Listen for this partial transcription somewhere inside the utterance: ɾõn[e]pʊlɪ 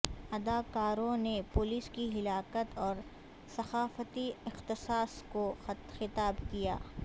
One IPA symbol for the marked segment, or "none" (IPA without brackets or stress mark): e